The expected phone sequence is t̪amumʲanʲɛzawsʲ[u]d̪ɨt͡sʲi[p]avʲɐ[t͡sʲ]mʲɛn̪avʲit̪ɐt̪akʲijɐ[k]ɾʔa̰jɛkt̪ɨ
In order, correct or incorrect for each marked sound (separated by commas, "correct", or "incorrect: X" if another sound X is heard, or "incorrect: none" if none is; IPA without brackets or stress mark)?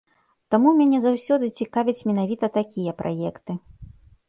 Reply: incorrect: ɔ, incorrect: k, correct, incorrect: p